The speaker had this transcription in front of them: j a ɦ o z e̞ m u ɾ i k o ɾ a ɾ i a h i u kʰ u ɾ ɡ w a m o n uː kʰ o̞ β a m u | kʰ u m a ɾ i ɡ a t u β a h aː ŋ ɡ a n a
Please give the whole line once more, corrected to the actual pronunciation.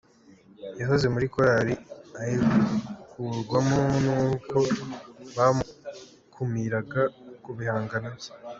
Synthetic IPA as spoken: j a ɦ o z e̞ m u ɾ i k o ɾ a ɾ i a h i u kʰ u ɾ ɡ w a m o n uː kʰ o̞ β a m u | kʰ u m i ɾ a ɡ a k u β i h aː ŋ ɡ a n a